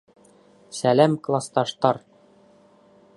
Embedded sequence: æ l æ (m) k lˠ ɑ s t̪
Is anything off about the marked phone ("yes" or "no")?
no